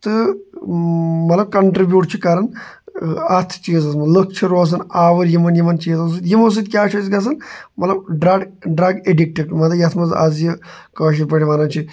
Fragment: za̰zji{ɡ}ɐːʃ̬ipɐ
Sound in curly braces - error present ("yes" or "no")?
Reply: yes